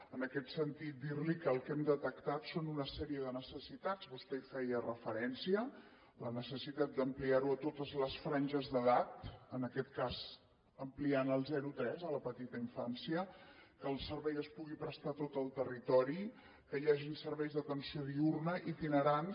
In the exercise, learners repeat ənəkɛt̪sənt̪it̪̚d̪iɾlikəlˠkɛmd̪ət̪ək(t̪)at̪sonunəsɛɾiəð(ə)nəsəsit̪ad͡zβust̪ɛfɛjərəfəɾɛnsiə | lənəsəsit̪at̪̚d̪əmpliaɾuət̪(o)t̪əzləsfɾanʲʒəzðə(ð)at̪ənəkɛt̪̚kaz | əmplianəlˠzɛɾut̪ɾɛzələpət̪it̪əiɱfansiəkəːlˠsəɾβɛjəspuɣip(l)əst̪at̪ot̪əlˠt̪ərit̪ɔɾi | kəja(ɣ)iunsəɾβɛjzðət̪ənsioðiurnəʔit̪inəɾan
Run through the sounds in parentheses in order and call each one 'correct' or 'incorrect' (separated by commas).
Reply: correct, correct, correct, correct, incorrect, incorrect